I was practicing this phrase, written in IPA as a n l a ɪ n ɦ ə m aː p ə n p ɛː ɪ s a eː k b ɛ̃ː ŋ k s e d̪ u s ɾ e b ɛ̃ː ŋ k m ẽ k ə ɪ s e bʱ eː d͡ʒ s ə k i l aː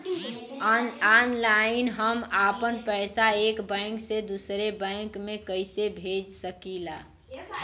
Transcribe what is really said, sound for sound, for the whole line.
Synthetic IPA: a n l a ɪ n ɦ ə m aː p ə n p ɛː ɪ s a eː k b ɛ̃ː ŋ k s e d̪ u s ɾ e b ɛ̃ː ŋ k m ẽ k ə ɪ s e bʱ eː d͡ʒ s ə k i l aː